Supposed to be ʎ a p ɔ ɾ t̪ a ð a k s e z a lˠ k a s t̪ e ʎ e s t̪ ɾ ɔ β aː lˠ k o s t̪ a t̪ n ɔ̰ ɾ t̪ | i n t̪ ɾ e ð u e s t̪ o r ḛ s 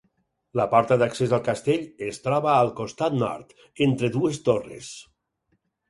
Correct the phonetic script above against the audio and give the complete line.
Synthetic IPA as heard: l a p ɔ ɾ t̪ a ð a k s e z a lˠ k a s t̪ e ʎ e s t̪ ɾ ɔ β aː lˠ k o s t̪ a t̪ n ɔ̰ ɾ t̪ | e n t̪ ɾ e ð u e s t̪ o r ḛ s